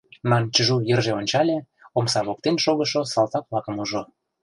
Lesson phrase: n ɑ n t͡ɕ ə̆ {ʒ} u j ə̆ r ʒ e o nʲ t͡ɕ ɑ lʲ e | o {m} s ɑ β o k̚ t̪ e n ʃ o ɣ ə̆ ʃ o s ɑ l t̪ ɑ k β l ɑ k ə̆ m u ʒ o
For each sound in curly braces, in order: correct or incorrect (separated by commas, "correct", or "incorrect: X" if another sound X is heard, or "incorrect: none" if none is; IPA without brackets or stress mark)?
correct, correct